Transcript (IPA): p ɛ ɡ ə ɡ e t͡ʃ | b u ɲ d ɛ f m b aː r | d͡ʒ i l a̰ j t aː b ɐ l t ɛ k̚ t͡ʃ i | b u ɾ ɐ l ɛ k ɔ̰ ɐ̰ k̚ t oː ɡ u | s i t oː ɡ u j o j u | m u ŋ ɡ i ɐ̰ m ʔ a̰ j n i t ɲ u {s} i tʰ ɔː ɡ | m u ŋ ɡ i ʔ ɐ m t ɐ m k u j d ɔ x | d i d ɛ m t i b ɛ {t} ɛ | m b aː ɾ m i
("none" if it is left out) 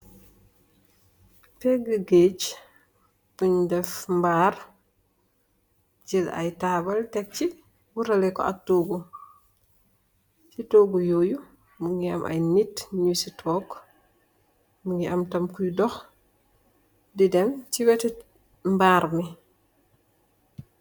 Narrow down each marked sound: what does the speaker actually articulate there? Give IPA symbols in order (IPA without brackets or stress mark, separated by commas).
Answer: s, t